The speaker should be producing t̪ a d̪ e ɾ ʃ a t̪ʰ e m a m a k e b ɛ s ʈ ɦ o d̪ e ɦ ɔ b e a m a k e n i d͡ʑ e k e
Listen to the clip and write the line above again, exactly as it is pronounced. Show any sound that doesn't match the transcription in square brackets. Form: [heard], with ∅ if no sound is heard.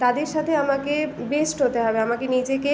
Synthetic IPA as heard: t̪ a d̪ e ɾ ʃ a t̪ʰ e [∅] a m a k e b [e] s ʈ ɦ o [t̪] e ɦ ɔ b e a m a k e n i d͡ʑ e k e

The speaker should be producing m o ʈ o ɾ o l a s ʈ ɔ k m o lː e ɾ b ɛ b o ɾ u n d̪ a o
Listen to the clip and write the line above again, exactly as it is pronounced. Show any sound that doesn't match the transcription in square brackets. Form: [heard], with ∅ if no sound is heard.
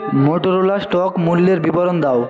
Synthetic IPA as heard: m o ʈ o ɾ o l a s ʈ ɔ k m [u] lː e ɾ b [i] b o ɾ [o] n d̪ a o

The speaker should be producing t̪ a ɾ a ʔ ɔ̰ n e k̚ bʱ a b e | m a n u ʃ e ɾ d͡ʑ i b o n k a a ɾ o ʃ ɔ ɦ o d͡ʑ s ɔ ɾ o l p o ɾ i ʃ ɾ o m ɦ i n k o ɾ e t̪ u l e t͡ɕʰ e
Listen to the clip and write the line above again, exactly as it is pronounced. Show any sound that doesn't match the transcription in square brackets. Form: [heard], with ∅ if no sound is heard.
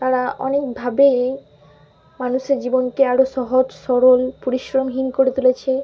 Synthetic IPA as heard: t̪ a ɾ a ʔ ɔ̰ n e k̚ bʱ a b e | m a n u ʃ e ɾ d͡ʑ i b o n k [e] a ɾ o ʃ ɔ ɦ o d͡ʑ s ɔ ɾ o l p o ɾ i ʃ ɾ o m ɦ i n k o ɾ e t̪ u l e t͡ɕʰ e

